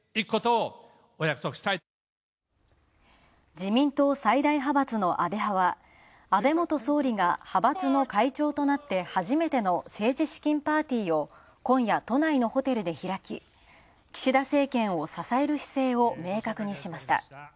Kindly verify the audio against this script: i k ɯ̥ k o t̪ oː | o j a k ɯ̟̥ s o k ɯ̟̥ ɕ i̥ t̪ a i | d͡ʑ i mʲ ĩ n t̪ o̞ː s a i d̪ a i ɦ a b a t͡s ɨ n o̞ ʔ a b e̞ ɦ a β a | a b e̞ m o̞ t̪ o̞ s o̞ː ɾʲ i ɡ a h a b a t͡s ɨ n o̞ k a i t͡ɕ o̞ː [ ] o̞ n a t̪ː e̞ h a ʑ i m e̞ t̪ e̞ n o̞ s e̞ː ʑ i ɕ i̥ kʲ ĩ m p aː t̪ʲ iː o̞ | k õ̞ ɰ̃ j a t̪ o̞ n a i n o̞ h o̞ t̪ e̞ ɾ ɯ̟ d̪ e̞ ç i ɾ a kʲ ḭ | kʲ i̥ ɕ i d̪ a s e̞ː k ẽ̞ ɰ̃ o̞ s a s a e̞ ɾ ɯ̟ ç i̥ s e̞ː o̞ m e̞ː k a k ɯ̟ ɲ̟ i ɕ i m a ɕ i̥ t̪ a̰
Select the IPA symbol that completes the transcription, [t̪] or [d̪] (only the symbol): t̪